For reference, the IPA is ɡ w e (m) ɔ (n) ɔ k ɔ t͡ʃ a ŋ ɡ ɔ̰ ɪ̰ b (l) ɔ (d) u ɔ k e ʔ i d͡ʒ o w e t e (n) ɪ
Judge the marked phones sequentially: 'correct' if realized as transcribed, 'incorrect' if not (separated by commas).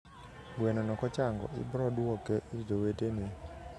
incorrect, correct, incorrect, correct, correct